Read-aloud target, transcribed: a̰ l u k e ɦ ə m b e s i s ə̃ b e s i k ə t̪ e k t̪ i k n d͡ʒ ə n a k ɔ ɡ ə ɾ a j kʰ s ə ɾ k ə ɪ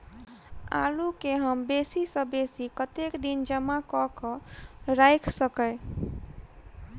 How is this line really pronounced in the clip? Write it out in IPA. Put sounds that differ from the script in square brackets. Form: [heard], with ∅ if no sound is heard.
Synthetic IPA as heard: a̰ l u k e ɦ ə m b e s i s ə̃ b e s i k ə t̪ e k [d̪] i [∅] n d͡ʒ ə [m] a k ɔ [k] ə ɾ a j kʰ s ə [∅] k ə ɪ